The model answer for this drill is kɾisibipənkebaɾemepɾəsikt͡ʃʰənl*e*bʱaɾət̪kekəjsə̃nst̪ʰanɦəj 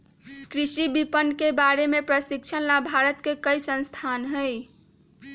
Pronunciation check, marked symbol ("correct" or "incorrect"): incorrect